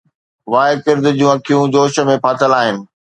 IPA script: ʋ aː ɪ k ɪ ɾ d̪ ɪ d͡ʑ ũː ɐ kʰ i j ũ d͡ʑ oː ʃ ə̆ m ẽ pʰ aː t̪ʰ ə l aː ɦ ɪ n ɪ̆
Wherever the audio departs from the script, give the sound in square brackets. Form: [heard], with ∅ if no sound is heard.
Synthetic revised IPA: ʋ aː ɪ k ɪ ɾ d̪ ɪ d͡ʑ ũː ɐ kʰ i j ũ d͡ʑ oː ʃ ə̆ m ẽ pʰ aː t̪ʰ ə l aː ɦ ɪ n ɪ̆